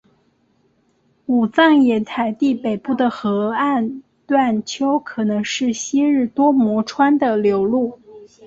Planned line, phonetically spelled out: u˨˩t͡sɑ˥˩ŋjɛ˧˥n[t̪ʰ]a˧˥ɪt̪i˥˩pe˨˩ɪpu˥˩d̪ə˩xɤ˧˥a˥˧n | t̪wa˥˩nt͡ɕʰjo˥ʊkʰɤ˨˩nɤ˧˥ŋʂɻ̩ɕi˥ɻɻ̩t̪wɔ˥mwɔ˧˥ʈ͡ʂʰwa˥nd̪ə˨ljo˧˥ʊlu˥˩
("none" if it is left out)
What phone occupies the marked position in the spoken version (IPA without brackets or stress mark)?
t̪ʰ